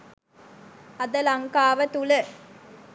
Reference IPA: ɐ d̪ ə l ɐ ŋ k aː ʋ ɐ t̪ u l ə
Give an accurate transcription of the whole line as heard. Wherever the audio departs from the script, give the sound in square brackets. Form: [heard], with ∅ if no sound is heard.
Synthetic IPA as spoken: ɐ d̪ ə l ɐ ŋ k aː ʋ [ə] t̪ u l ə